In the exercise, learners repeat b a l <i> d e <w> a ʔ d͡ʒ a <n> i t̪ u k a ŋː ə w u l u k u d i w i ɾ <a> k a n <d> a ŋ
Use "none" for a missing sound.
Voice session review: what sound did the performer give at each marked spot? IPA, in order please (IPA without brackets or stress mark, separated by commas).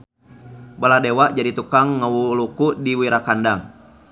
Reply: a, w, d, a, d